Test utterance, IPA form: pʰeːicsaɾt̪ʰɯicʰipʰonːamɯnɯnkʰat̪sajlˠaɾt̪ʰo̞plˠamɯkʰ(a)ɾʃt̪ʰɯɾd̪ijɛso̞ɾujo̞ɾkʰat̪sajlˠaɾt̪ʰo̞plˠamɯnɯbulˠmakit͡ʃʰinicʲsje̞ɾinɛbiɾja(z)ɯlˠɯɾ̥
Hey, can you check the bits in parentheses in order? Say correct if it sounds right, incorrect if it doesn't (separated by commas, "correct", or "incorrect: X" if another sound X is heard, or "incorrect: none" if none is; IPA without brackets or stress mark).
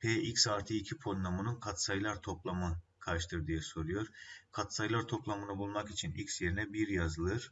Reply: correct, correct